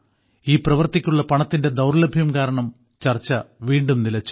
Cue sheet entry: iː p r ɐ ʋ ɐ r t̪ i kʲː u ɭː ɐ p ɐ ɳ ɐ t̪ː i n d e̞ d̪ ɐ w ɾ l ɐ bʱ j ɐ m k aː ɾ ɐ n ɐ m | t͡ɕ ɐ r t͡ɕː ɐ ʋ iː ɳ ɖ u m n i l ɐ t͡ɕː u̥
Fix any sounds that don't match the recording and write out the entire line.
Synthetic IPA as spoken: iː p r ɐ ʋ ɐ r t̪ i kʲː u ɭː ɐ p ɐ ɳ ɐ t̪ː i n d e̞ d̪ ɐ w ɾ l ɐ bʱ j ɐ m k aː ɾ ɐ ɳ ɐ m | t͡ɕ ɐ r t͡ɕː ɐ ʋ iː ɳ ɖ u m n i l ɐ t͡ɕː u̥